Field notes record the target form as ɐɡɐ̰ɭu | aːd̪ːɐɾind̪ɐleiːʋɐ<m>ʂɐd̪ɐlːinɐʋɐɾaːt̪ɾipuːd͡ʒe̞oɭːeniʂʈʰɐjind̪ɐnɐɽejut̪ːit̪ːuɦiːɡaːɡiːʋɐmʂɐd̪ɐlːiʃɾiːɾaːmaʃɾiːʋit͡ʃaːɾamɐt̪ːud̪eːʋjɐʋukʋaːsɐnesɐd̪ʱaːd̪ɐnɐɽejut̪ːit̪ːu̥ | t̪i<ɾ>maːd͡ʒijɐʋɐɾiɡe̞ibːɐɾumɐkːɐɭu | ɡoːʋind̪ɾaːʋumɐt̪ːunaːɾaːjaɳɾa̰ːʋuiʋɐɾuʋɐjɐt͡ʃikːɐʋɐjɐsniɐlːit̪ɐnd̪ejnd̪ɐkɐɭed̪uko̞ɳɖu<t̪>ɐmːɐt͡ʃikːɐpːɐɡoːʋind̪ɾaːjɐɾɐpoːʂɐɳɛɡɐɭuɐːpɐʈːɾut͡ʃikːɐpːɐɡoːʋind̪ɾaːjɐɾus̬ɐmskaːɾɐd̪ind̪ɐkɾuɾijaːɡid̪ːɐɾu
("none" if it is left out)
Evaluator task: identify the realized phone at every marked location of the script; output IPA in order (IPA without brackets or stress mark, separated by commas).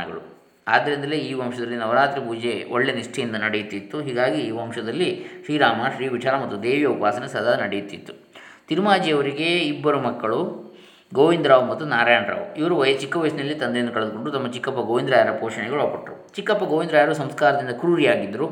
m, ɾ, t̪